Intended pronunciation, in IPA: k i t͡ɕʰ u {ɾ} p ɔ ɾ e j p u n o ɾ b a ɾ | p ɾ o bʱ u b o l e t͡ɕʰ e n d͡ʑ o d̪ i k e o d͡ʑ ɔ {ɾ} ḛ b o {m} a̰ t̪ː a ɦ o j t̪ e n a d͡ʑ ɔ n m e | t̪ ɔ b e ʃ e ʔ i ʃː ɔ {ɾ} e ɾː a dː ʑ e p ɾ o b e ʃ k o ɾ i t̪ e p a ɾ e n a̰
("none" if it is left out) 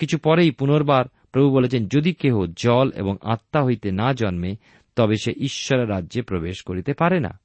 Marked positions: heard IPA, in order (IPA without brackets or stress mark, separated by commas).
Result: none, l, ŋ, ɾ